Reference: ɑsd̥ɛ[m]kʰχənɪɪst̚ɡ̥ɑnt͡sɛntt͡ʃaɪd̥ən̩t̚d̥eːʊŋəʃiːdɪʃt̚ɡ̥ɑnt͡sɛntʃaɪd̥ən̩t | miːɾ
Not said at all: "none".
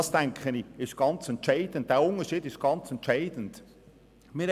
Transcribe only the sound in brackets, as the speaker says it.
ŋ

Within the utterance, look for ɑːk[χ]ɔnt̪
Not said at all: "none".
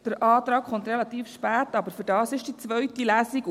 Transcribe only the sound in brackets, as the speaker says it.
χ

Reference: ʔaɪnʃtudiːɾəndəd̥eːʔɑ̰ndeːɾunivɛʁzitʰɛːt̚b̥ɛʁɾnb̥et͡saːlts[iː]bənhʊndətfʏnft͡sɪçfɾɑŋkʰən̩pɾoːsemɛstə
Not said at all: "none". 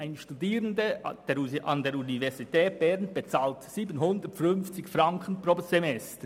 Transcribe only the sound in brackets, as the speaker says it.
iː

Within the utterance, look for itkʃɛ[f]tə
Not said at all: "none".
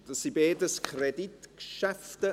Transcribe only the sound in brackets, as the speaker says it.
f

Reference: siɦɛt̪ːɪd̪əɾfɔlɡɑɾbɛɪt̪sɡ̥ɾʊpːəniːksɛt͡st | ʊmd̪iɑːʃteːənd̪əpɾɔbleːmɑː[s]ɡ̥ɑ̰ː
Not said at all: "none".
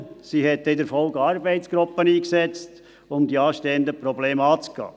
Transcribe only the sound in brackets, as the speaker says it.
t͡s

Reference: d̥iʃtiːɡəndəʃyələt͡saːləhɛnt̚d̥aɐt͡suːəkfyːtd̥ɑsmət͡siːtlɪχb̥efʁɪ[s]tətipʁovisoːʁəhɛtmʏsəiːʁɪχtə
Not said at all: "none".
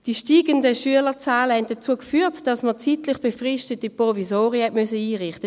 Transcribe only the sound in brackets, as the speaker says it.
ʃ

